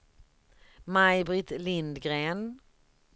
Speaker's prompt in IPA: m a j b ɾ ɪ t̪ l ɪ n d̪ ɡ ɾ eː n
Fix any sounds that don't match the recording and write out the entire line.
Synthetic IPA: m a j b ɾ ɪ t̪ l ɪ n d̪ ɡ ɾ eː n

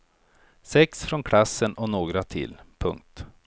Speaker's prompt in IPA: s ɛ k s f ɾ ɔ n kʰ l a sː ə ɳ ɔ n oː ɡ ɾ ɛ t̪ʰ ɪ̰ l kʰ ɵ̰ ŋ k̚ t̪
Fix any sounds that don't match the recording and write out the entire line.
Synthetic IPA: s ɛ k s f ɾ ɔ n kʰ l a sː ə n ɔ n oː ɡ ɾ a t̪ʰ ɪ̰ l pʰ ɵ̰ ŋ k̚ t̪

